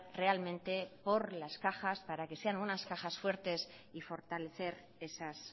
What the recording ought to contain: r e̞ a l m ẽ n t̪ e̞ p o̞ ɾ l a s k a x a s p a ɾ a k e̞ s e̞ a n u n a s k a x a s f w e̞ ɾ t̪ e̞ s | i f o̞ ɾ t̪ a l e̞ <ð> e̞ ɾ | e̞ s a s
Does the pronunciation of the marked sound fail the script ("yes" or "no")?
yes